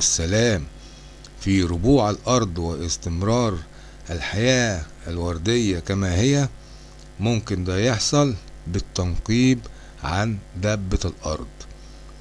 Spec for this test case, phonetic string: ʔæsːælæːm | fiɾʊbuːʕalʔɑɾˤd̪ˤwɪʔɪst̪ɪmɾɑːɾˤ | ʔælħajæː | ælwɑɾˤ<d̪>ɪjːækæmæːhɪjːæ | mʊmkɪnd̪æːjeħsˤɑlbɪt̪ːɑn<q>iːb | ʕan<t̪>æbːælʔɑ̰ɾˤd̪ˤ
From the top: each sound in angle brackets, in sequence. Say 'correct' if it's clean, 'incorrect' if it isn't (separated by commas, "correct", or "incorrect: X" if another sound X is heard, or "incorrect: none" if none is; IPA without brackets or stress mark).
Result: correct, correct, incorrect: d̪